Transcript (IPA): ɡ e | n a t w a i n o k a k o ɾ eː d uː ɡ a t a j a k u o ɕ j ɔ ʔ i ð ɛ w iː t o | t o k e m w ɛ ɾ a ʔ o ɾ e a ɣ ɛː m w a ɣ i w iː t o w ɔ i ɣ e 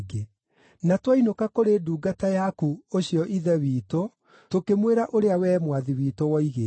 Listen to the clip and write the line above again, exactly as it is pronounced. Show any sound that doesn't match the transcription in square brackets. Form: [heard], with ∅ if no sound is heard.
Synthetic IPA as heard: ɡ e | n a t w a i n o k a k o ɾ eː d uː ɡ a t a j a k u o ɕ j ɔ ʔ i ð ɛ w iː t o | t o k e m w [e] ɾ a ʔ o ɾ e a [w] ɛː m w a [ð] i w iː t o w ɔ i ɣ e